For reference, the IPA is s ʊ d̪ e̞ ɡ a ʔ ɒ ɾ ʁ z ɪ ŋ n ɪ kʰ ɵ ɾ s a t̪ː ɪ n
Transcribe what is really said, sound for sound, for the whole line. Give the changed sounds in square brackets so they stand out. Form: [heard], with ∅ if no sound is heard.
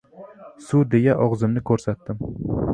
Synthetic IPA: s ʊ d̪ e̞ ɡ a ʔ ɒ [∅] ʁ z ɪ [m] n ɪ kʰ ɵ ɾ s a t̪ː ɪ [m]